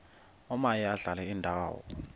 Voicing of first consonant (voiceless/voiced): voiced